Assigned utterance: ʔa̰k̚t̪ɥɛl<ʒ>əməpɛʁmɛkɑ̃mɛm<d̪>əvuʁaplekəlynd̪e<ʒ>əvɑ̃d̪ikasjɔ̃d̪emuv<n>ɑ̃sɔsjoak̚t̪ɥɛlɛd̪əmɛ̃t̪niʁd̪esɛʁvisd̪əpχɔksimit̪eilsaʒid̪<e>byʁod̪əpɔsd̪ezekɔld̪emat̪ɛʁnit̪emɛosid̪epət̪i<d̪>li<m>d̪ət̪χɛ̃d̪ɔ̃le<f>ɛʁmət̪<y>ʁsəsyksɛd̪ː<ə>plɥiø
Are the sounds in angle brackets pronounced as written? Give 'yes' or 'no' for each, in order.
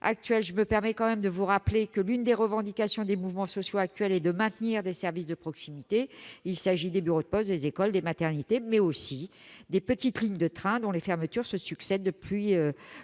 yes, yes, no, no, yes, no, no, yes, yes, yes

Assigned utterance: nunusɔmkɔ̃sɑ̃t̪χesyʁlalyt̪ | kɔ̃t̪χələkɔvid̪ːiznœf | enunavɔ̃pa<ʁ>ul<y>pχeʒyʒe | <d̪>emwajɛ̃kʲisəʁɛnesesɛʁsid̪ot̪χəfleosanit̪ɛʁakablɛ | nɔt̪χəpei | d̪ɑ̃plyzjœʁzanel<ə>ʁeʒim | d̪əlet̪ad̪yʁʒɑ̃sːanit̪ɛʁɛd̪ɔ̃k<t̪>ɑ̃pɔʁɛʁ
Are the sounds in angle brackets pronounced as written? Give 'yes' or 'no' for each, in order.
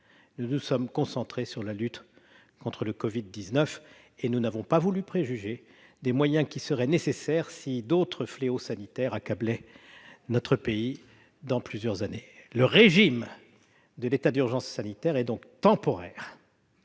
no, yes, yes, yes, yes

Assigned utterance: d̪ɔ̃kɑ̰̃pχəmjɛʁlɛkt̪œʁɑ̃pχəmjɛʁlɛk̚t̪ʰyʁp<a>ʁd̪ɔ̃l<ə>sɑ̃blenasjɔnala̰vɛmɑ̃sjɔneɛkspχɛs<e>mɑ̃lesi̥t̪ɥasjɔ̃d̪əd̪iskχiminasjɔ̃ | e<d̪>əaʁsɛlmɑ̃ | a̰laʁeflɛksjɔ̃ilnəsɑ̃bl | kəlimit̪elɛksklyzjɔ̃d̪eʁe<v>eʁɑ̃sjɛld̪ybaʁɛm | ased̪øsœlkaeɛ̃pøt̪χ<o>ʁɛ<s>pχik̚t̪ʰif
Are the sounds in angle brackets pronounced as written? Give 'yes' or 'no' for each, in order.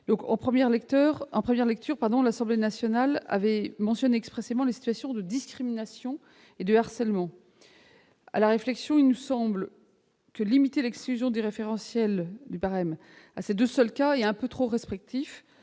yes, no, yes, yes, no, yes, yes

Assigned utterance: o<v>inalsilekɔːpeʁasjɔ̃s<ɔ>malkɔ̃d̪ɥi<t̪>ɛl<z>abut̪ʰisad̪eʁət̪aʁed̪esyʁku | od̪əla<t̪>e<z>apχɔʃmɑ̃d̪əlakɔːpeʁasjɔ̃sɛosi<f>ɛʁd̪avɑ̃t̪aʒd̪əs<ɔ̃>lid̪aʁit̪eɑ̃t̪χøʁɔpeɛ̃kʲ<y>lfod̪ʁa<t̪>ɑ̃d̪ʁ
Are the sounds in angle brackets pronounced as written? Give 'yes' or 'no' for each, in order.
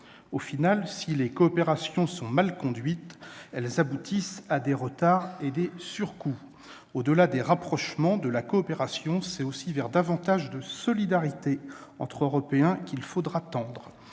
no, no, yes, yes, no, no, no, no, no, yes

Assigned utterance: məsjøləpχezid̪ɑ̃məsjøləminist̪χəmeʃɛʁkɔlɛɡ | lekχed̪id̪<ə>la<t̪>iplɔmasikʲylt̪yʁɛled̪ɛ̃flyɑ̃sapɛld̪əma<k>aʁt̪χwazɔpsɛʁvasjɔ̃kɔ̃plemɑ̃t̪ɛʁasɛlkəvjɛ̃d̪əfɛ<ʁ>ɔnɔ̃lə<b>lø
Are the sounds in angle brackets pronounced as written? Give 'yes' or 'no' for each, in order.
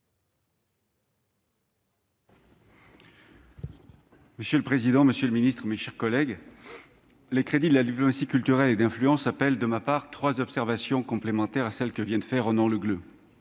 yes, no, no, yes, no

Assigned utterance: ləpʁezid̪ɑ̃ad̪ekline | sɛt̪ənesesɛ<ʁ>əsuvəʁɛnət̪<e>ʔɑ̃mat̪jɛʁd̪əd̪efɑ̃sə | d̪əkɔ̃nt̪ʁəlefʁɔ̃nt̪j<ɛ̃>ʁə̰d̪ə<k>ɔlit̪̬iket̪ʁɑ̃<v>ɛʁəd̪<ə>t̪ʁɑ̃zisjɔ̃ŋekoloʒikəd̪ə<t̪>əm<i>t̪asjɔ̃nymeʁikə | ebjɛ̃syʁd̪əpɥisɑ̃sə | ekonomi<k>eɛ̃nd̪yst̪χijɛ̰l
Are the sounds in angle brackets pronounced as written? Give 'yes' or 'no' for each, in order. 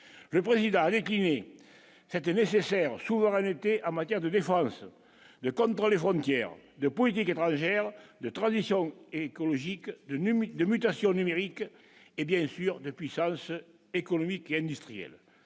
yes, yes, no, no, no, yes, no, no, yes

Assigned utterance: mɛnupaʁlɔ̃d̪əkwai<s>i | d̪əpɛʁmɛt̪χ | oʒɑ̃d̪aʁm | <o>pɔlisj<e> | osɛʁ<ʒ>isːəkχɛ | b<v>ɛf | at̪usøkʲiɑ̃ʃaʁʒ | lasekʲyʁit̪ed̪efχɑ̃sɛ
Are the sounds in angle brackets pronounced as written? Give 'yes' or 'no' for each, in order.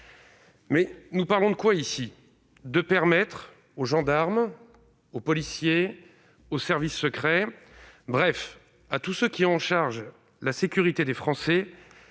yes, yes, yes, no, no

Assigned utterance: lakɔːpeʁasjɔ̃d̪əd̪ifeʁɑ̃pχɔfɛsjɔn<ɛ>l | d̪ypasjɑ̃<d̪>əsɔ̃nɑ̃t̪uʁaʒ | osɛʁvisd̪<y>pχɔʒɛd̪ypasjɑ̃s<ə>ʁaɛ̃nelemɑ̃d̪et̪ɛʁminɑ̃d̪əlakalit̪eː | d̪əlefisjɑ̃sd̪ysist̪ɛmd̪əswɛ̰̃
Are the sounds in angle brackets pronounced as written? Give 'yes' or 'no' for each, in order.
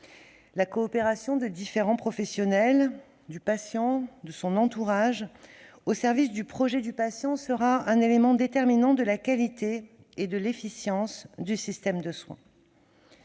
yes, yes, yes, yes

